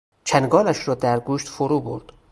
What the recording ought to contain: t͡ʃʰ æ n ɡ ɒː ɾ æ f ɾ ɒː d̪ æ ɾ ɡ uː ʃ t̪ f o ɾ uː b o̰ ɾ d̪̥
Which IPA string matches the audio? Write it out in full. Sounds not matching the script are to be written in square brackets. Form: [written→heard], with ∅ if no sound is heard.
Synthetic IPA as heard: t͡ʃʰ æ n ɡ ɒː [ɾ→l] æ [f→ʃ] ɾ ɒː d̪ æ ɾ ɡ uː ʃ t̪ f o ɾ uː b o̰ ɾ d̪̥